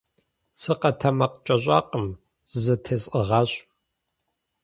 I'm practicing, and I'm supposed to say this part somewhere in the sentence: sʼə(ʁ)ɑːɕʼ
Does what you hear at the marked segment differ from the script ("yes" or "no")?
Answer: no